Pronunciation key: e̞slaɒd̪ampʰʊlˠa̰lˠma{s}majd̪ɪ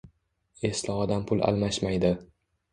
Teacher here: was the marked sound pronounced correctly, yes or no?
no